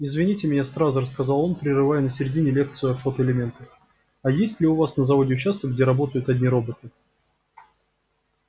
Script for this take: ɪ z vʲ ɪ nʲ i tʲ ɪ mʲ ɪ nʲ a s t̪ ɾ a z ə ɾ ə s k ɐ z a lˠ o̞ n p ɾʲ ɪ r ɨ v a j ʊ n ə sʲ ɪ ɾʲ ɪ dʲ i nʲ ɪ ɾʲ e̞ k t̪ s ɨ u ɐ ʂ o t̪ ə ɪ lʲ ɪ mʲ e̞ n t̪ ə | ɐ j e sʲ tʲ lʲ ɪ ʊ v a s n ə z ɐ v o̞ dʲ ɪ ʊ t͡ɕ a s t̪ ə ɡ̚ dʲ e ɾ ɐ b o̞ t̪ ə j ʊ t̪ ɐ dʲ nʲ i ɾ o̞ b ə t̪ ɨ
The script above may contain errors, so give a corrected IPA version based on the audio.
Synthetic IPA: ɪ z vʲ ɪ nʲ i tʲ ɪ mʲ ɪ nʲ a s t̪ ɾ a z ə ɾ ə s k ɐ z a lˠ o̞ n p ɾʲ ɪ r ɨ v a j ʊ n ə sʲ ɪ ɾʲ ɪ dʲ i nʲ ɪ lʲ e̞ k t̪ s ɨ ʊ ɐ f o t̪ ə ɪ lʲ ɪ mʲ e̞ n t̪ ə | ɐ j e sʲ tʲ lʲ ɪ ʊ v a s n ə z ɐ v o̞ dʲ ɪ ʊ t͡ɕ a s t̪ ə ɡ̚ dʲ e ɾ ɐ b o̞ t̪ ə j ʊ t̪ ɐ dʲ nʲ i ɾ o̞ b ə t̪ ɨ